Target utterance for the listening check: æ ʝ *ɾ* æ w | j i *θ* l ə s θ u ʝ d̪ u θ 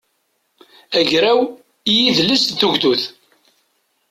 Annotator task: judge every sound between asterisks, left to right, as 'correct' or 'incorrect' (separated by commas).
correct, incorrect